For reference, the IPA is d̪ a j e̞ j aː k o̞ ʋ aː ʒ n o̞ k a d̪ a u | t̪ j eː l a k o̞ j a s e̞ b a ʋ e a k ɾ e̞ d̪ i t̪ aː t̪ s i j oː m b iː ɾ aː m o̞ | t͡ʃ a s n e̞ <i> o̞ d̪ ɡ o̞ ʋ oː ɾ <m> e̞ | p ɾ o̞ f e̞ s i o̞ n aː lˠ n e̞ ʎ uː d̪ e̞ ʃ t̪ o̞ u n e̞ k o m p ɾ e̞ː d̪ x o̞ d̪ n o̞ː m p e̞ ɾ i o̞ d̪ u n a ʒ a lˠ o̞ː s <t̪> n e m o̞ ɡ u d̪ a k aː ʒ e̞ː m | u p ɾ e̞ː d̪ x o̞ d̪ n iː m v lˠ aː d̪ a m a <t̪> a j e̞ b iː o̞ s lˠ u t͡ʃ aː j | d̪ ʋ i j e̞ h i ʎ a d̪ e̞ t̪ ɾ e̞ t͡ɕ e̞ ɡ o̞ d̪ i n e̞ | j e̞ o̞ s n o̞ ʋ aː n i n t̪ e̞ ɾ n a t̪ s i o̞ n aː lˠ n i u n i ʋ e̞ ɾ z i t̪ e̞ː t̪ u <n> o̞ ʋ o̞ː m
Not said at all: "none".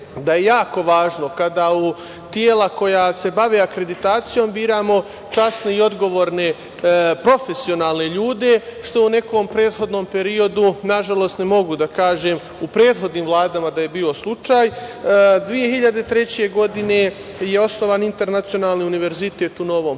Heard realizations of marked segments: i, n, t̪, d̪, n

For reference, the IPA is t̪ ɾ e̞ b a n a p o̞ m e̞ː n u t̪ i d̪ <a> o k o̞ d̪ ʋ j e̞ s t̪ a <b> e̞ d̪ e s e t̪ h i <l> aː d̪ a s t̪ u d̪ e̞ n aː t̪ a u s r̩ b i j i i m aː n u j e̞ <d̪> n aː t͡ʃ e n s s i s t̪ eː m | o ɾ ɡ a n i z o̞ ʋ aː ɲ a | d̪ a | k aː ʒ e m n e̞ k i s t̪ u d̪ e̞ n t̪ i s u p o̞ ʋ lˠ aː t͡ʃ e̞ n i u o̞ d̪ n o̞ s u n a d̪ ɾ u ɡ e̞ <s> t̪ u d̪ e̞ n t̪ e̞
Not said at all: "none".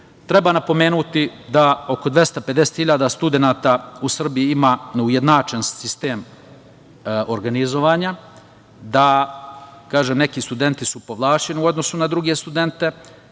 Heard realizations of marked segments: a, p, ʎ, d̪, s

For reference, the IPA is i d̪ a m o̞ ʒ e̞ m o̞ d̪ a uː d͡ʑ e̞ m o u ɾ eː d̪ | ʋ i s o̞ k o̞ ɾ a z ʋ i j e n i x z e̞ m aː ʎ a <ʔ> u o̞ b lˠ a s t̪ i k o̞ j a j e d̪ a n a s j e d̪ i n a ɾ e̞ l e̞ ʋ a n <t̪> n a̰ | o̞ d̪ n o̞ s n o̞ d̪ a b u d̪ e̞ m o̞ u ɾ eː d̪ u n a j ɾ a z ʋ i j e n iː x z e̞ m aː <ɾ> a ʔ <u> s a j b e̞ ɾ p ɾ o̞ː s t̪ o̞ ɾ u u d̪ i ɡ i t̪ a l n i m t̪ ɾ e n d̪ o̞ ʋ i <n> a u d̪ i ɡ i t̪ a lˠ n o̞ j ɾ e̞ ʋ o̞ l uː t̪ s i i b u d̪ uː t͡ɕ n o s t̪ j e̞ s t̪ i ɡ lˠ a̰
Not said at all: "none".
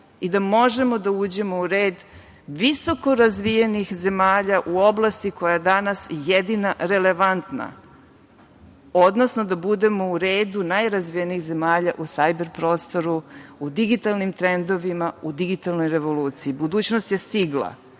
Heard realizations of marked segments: ʔ, t̪, ʎ, u, m

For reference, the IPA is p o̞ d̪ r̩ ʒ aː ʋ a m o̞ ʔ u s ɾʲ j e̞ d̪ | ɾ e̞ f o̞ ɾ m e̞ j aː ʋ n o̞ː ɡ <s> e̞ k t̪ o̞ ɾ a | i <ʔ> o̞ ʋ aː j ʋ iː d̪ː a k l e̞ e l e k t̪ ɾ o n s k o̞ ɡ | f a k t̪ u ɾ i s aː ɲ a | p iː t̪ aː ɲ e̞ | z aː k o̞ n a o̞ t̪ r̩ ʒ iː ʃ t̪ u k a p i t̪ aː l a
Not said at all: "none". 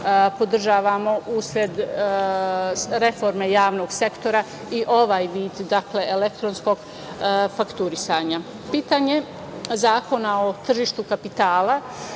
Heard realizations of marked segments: s, ʔ

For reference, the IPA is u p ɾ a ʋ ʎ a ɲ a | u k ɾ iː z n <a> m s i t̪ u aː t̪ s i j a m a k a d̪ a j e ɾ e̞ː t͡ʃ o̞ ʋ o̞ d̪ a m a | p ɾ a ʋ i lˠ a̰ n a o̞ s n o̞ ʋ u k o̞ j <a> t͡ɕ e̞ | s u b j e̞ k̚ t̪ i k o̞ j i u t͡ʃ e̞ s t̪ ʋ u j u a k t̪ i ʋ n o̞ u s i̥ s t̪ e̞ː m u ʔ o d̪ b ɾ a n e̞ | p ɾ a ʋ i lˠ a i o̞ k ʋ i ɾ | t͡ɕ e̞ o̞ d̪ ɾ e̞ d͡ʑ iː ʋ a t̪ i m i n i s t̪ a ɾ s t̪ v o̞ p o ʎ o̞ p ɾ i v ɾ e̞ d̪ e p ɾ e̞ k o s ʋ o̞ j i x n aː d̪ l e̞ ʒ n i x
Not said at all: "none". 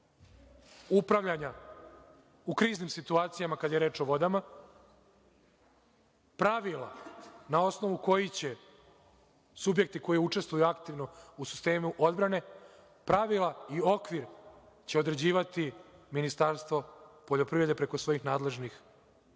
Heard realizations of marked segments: i, i

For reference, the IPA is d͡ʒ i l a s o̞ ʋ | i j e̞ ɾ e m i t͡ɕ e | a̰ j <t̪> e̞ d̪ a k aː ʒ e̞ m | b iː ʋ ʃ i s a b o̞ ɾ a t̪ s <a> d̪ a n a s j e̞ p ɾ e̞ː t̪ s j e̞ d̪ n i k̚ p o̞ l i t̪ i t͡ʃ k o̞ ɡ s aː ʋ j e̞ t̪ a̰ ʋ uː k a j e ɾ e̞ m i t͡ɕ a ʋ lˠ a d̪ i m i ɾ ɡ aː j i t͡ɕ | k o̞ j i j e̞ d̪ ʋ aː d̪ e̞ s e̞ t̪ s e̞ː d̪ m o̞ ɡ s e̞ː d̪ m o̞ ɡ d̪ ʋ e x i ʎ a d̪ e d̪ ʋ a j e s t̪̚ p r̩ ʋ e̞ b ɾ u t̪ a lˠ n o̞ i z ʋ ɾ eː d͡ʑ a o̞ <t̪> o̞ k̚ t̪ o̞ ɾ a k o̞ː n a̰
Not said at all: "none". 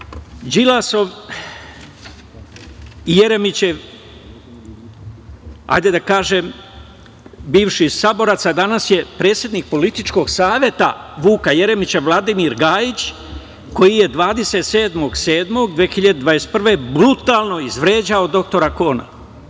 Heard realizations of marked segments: d̪, a, d̪

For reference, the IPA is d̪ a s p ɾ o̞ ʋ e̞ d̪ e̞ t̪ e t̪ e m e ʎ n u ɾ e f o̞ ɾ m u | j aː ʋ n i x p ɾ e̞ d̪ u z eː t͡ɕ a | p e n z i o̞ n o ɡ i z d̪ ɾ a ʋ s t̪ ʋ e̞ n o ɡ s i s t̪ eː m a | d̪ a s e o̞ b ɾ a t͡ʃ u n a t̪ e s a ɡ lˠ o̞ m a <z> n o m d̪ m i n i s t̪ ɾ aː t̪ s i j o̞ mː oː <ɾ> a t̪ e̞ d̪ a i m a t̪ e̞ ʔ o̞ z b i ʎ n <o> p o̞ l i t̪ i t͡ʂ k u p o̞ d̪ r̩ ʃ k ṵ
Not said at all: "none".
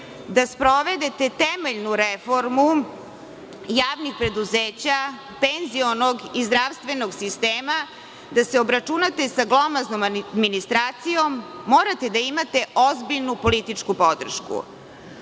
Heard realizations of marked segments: z, ɾ, u

